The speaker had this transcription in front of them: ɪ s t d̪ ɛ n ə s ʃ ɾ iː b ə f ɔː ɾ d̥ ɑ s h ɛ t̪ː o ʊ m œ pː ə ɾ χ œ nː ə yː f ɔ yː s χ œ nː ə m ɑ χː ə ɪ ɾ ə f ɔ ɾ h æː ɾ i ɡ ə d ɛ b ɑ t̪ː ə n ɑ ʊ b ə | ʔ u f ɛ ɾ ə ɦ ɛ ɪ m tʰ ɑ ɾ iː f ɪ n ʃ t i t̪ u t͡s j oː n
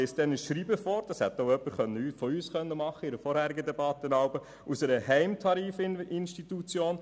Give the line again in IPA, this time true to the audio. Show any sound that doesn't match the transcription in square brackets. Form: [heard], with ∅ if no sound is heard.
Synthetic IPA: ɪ s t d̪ ɛ n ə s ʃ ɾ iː b ə f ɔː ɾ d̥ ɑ s h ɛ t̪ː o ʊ [∅] œ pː ə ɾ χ œ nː ə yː f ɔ yː s χ œ nː ə m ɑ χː ə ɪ ɾ ə f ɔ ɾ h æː ɾ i ɡ ə d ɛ b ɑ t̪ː ə n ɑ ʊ b ə | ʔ u [s] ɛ ɾ ə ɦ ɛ ɪ m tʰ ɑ ɾ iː f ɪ n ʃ t i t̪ u t͡s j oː n